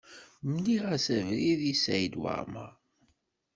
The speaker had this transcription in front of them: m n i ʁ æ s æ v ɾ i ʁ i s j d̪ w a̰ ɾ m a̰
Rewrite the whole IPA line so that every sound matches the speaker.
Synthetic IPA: m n i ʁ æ s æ v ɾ i ð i s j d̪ w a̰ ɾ m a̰